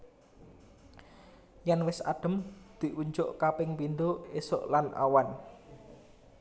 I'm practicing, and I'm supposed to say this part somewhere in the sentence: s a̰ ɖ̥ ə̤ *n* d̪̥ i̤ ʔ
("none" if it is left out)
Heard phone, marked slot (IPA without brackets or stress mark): m